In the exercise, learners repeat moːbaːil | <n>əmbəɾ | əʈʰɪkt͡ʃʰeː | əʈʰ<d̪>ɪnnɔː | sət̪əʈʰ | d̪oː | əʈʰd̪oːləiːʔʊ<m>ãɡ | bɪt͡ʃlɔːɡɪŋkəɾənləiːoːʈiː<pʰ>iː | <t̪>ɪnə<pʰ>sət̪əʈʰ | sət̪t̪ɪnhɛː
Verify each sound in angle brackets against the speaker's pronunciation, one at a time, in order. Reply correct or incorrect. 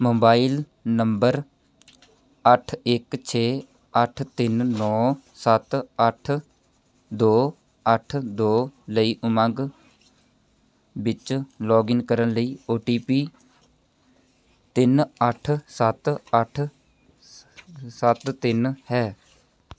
correct, incorrect, correct, incorrect, correct, incorrect

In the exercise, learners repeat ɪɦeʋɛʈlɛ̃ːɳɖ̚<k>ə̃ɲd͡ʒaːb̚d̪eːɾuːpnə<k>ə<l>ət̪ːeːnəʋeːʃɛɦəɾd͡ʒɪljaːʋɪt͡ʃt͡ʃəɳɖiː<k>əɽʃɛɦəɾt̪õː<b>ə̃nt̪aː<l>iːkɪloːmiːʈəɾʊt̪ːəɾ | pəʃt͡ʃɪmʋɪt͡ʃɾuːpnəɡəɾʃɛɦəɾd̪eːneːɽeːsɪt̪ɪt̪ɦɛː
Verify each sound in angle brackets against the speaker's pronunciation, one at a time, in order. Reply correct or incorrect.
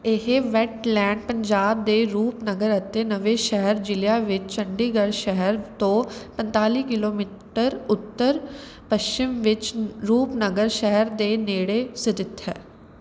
incorrect, incorrect, incorrect, incorrect, incorrect, correct

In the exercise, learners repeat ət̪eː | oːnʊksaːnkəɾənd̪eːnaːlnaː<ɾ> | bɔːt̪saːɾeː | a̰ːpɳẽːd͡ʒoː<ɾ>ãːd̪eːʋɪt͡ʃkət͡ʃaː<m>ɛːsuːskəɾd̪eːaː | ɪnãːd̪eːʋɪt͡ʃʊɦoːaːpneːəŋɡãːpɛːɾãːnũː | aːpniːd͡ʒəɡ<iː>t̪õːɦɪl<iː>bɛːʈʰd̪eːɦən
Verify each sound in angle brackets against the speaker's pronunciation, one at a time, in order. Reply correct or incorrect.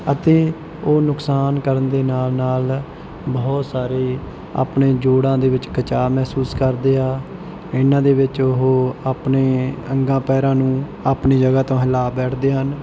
incorrect, incorrect, correct, incorrect, incorrect

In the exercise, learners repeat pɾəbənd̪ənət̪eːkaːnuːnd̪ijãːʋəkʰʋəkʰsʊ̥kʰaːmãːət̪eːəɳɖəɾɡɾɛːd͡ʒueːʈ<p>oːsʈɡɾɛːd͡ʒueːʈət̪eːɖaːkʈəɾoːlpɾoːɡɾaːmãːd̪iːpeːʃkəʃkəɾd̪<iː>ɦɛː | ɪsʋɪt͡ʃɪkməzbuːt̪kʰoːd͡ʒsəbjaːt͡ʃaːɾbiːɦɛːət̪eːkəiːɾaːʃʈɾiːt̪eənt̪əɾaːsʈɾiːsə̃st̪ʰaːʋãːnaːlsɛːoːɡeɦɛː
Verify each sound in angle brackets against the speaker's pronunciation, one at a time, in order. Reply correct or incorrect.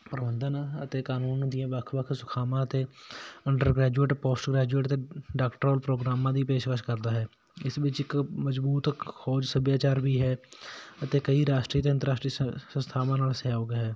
correct, incorrect

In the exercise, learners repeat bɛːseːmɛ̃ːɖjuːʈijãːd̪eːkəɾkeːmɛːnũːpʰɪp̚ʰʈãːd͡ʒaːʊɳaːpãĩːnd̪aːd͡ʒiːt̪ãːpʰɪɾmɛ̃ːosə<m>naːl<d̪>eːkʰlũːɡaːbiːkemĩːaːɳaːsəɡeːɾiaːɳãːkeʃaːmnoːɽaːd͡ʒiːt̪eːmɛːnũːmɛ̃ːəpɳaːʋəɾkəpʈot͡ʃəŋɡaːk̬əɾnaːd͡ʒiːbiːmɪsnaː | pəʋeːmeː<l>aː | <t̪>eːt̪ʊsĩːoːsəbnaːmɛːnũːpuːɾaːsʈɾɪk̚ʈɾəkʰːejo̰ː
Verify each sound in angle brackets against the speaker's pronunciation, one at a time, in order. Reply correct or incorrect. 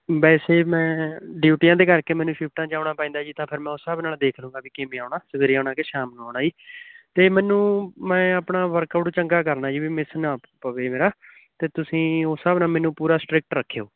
incorrect, correct, incorrect, correct

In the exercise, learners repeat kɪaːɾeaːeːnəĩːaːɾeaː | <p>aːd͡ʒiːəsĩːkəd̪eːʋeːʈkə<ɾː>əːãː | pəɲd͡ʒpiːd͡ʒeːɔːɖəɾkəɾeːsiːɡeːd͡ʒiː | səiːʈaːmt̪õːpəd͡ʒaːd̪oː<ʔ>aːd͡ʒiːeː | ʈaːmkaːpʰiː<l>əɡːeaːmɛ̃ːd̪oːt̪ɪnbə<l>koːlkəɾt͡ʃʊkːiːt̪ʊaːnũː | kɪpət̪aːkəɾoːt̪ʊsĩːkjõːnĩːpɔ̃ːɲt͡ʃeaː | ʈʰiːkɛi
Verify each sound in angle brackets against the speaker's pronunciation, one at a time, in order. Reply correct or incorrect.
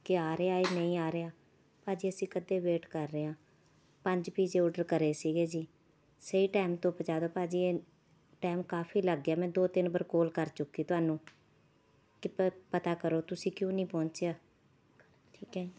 correct, correct, incorrect, correct, incorrect

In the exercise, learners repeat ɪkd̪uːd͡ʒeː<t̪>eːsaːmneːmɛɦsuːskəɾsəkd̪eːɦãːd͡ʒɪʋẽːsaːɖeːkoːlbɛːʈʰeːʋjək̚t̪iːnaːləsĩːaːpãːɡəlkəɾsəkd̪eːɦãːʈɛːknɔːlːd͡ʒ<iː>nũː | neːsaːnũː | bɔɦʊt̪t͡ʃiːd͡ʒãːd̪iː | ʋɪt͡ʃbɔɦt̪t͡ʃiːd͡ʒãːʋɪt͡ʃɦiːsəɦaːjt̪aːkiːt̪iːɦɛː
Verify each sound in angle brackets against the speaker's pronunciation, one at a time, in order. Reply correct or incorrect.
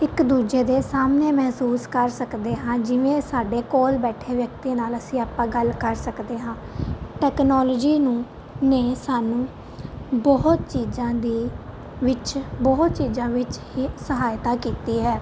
incorrect, correct

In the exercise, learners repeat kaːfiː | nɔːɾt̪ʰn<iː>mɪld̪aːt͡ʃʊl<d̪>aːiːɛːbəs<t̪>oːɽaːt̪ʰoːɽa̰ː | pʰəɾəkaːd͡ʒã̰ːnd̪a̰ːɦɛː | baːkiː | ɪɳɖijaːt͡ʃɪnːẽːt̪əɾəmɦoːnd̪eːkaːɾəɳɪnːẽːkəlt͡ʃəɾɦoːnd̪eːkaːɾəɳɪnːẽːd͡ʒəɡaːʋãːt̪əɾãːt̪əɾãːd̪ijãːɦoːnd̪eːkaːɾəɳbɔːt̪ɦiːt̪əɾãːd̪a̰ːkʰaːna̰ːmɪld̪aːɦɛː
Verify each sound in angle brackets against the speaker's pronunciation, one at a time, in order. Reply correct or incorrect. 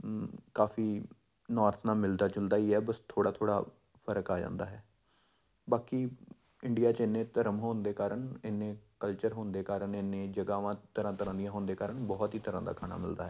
incorrect, correct, incorrect

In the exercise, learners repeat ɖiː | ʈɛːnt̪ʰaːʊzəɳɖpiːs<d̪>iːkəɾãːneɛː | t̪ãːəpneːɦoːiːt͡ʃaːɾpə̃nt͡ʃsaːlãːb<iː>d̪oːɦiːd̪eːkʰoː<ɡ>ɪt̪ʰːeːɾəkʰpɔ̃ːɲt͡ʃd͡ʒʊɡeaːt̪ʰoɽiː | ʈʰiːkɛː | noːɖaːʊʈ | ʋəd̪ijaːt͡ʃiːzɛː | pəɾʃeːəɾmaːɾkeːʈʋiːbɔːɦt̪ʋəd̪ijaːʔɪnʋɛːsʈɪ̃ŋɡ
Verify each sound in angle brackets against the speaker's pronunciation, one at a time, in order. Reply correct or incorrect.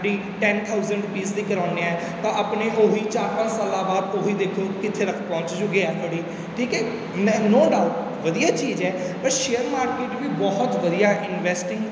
correct, incorrect, incorrect

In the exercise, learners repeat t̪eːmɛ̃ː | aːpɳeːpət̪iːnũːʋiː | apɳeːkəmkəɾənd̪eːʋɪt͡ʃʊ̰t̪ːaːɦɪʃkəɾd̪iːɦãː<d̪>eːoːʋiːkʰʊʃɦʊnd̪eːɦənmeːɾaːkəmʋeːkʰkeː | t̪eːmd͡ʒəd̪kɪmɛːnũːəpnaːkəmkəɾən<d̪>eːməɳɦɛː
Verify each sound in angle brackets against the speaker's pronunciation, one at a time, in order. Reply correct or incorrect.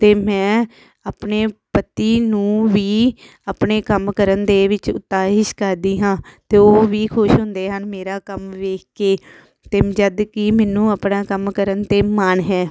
incorrect, incorrect

